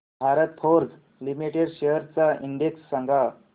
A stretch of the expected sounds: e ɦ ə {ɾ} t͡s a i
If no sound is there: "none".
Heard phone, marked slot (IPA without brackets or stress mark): ɾ